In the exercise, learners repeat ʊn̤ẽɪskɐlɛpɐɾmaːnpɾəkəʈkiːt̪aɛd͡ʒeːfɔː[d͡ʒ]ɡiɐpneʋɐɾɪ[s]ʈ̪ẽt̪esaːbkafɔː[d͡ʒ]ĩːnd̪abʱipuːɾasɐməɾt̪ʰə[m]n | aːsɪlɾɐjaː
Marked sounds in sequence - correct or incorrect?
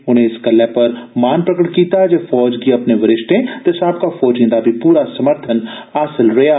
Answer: correct, incorrect: ʃ, correct, incorrect: none

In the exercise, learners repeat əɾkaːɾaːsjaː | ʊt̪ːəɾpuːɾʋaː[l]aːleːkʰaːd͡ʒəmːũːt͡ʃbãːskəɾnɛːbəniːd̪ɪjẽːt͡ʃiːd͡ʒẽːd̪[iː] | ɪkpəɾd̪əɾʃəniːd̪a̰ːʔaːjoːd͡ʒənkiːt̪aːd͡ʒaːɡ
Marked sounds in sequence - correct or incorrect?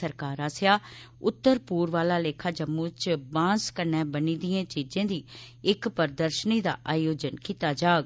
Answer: correct, correct

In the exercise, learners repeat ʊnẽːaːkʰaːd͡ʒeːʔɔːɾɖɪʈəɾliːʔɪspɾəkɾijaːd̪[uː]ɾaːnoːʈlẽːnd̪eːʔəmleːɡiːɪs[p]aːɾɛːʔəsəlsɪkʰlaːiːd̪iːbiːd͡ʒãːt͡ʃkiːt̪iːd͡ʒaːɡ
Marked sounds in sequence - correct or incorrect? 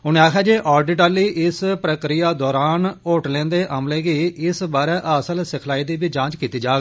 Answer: incorrect: ɔː, incorrect: b

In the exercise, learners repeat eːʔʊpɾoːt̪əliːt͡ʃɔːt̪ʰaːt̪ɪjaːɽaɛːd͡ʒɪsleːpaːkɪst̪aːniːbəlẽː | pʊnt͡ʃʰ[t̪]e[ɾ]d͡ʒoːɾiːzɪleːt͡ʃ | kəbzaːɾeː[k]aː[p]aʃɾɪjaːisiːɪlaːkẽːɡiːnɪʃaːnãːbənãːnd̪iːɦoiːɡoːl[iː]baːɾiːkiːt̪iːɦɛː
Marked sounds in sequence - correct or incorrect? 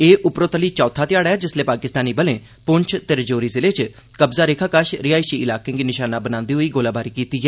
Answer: correct, correct, incorrect: kʰ, incorrect: k, incorrect: aː

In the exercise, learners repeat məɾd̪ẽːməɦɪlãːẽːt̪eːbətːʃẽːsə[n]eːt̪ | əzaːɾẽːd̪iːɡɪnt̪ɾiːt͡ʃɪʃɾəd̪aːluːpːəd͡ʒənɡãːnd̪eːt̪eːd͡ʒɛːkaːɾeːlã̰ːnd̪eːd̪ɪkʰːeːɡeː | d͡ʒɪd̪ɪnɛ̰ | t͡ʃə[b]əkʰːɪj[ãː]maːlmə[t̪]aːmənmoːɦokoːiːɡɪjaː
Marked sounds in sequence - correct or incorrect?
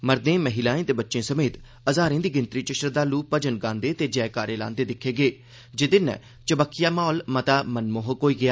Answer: incorrect: m, correct, incorrect: aː, correct

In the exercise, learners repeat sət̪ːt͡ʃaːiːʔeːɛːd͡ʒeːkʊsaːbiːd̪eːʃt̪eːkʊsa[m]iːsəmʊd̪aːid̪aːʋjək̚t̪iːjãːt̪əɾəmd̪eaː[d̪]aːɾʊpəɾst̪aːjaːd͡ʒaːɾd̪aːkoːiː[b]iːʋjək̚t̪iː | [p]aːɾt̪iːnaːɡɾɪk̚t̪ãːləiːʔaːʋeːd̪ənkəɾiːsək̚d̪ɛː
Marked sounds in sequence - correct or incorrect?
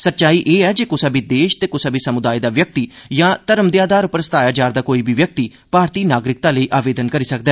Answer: incorrect: b, correct, correct, correct

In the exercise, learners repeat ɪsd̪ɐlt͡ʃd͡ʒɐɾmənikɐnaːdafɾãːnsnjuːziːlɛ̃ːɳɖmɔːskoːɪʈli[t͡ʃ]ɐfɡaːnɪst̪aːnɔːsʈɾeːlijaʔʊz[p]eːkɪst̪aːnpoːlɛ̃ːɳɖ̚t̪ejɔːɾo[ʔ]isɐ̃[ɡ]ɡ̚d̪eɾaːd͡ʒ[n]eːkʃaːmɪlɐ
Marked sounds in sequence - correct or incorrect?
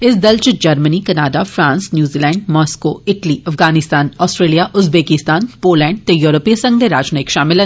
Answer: incorrect: none, incorrect: b, incorrect: p, incorrect: ŋ, correct

